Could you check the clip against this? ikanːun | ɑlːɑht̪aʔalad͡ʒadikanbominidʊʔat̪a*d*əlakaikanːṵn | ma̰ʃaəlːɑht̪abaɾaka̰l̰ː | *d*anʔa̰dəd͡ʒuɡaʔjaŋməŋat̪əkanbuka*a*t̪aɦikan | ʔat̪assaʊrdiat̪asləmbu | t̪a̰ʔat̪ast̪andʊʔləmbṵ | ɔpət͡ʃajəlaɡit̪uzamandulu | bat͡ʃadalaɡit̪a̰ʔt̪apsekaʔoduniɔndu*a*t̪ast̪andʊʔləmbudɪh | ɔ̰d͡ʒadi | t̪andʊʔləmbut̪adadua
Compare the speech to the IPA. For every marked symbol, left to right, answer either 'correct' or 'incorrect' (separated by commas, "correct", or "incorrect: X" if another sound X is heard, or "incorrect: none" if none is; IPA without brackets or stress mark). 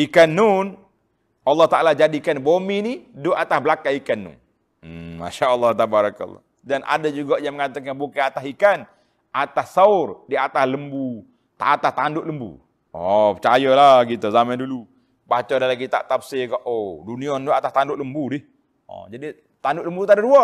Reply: incorrect: b, correct, correct, correct